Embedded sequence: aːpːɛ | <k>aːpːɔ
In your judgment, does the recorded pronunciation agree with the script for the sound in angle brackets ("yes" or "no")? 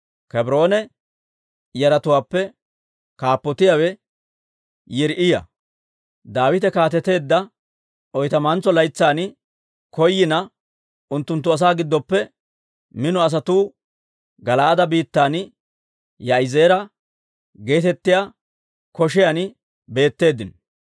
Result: yes